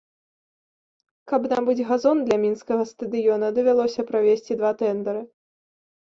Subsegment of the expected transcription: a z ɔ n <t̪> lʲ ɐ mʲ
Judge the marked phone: incorrect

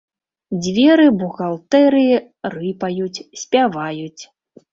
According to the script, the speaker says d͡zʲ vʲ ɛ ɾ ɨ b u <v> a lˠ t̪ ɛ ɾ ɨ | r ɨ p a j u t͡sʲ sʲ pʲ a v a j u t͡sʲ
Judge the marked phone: incorrect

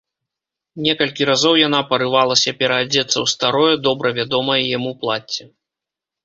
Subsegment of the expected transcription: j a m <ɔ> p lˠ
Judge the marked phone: incorrect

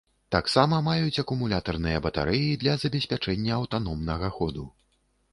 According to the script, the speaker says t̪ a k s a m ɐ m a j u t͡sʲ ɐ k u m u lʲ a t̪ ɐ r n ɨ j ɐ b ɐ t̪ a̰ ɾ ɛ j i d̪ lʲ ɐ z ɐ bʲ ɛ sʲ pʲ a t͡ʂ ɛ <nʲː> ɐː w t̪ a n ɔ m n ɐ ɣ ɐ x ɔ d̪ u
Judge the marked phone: correct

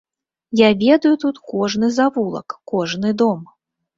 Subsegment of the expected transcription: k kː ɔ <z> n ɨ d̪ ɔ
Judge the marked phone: incorrect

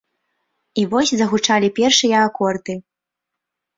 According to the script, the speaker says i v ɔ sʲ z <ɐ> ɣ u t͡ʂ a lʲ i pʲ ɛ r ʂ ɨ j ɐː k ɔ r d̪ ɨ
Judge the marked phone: correct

